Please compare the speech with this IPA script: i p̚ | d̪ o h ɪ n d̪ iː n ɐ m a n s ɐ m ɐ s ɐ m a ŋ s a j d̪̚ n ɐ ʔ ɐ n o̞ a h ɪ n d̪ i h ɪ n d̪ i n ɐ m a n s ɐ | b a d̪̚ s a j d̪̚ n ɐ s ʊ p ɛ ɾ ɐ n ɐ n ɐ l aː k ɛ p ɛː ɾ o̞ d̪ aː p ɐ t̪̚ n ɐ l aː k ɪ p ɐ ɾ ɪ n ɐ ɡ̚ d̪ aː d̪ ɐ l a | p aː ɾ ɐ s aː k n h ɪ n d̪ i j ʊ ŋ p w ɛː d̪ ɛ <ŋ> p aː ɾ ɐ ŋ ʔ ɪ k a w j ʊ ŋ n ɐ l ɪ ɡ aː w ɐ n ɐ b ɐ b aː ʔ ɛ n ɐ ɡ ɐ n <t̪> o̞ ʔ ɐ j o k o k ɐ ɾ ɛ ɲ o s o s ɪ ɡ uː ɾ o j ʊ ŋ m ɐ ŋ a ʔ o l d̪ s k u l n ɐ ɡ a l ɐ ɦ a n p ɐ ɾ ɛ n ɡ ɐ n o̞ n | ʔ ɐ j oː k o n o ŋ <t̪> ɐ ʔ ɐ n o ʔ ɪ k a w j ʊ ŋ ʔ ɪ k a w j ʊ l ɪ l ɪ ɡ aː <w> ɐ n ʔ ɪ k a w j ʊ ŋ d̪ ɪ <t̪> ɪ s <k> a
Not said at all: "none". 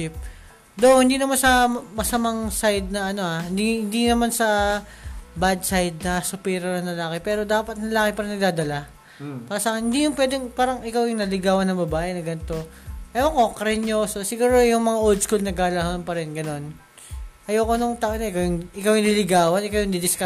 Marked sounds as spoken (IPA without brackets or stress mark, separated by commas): ŋ, t̪, t̪, w, d̪, k